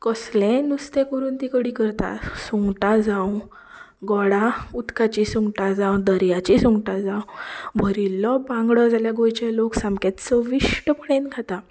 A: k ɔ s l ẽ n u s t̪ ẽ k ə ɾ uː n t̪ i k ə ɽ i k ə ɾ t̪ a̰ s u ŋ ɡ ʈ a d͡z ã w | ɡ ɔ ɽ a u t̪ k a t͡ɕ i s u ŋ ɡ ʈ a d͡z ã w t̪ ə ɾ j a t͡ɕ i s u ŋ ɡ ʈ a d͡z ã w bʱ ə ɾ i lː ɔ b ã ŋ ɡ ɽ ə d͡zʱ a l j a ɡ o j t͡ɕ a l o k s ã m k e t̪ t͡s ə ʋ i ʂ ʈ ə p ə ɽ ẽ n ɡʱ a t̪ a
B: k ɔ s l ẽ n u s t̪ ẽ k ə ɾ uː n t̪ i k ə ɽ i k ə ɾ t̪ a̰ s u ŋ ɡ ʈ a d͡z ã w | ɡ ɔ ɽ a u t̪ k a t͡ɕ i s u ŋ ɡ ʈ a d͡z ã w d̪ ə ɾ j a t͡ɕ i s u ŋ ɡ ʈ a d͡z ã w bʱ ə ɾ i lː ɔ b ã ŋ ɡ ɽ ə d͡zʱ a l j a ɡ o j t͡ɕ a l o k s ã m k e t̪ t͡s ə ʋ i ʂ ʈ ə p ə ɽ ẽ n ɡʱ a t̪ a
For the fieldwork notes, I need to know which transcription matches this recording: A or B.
B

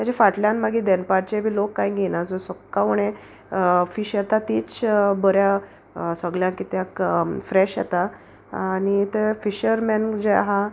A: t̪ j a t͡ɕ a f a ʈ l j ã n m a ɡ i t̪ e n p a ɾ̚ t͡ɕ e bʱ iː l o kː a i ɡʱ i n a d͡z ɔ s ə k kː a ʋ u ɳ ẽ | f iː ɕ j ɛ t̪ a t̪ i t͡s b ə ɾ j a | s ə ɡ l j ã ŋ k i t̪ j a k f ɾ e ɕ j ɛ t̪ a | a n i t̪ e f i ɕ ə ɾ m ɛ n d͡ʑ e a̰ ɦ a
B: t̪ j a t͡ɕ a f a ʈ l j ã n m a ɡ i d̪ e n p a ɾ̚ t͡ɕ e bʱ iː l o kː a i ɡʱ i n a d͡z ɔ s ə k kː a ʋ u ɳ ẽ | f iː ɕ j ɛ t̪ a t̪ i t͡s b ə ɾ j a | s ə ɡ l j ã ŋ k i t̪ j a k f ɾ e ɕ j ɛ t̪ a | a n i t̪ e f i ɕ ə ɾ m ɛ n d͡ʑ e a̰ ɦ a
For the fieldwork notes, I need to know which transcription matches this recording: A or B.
B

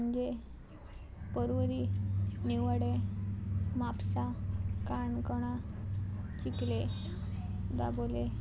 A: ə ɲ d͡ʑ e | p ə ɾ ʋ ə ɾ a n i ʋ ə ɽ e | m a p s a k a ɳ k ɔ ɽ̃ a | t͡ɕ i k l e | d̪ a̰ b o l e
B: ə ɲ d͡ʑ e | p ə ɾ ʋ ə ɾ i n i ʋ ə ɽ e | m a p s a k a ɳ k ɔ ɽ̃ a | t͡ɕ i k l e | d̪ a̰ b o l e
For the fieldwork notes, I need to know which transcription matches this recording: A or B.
B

